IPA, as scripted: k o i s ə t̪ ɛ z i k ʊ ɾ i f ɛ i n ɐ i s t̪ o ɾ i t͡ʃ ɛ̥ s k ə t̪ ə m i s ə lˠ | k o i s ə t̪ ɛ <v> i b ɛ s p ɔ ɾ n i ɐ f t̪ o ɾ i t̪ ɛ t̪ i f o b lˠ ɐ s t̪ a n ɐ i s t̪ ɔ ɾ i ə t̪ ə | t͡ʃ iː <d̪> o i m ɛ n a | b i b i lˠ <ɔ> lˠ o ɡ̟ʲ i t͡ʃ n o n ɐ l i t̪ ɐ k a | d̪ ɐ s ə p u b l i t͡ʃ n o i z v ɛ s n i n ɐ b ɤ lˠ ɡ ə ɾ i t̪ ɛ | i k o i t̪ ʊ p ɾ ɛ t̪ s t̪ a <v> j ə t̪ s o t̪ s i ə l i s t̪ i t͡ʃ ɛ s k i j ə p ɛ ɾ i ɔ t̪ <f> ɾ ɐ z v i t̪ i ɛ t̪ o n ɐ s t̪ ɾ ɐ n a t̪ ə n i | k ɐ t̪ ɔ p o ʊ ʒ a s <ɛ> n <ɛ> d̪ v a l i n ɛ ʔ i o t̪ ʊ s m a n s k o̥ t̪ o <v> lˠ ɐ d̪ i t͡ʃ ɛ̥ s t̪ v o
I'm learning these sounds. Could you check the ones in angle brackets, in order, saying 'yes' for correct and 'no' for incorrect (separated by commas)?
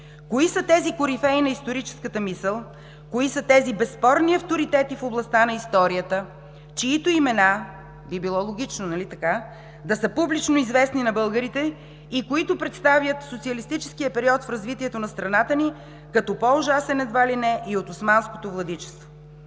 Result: no, no, yes, yes, yes, yes, yes, yes